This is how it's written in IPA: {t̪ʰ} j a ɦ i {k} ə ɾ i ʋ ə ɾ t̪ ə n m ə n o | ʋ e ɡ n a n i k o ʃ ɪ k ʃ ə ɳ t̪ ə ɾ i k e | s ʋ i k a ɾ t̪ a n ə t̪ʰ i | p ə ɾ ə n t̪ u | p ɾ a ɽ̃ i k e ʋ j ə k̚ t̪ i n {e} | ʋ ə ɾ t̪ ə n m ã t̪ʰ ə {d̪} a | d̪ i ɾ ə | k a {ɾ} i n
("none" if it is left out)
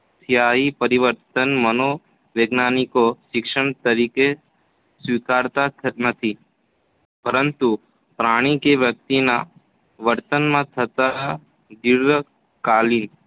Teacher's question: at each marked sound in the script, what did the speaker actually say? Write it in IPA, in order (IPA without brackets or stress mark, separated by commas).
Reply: t̪ʰ, p, a, t̪, l